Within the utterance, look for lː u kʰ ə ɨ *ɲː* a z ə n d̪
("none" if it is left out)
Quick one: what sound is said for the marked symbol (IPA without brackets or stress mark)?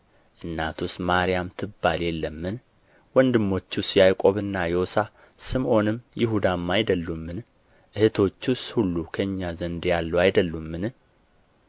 ɲː